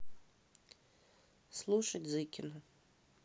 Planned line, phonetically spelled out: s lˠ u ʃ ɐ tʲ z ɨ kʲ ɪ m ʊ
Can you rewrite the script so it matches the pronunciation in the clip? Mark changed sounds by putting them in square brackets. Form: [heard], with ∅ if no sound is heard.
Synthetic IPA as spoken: s lˠ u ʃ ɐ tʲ z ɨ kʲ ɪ [n] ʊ

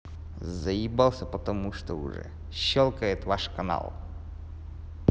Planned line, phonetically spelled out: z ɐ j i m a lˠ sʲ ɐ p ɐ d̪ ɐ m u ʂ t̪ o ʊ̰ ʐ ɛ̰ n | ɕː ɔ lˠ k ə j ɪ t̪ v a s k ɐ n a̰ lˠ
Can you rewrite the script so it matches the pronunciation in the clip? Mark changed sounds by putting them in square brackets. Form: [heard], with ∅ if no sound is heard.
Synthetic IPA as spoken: z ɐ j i [b] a lˠ sʲ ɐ p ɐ [t̪] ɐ m u ʂ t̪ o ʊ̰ ʐ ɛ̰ [∅] | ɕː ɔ lˠ k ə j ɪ t̪ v a [ʂ] k ɐ n a̰ lˠ

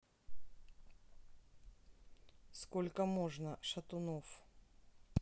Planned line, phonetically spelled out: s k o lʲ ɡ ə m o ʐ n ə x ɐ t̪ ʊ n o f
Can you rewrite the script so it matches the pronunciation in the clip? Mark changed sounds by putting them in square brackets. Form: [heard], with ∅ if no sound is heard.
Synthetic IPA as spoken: s k o lʲ [k] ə m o ʐ n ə [ʂ] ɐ t̪ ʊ n o f

